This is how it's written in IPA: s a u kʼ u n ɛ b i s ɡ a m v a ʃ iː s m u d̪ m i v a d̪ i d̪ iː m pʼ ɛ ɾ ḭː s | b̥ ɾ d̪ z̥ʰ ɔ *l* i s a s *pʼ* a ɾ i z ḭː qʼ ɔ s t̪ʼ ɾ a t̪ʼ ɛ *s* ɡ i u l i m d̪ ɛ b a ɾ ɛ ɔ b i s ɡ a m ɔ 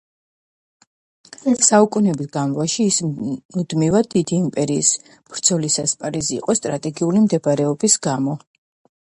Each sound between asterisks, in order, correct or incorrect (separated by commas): correct, correct, incorrect